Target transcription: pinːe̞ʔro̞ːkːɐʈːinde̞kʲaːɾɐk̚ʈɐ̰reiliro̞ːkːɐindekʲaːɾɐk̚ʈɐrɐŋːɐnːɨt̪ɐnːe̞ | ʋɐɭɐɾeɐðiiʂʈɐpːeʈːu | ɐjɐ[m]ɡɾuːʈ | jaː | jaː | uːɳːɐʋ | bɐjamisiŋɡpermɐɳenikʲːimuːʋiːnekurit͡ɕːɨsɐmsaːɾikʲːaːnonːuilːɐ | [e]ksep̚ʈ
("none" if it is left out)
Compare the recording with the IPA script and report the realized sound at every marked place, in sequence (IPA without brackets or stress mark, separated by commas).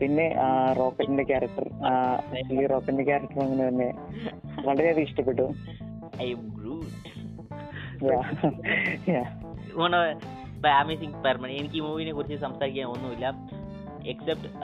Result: m, e